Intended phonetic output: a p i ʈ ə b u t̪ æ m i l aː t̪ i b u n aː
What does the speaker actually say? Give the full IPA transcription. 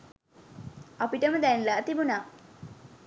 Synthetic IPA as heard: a p i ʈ ə m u d̪ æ n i l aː t̪ i b u n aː